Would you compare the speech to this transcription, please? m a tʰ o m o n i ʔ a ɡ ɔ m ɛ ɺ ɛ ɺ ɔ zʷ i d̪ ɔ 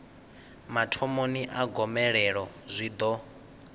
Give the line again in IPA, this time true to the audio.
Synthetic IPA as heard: m a tʰ ɔ m o n i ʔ a ɡ ɔ m ɛ ɺ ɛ ɺ ɔ zʷ i d̪ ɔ